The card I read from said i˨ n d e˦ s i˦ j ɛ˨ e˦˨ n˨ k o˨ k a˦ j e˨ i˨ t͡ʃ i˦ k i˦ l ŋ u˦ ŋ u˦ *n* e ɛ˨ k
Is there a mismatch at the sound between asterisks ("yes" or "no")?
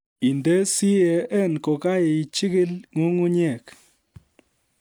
yes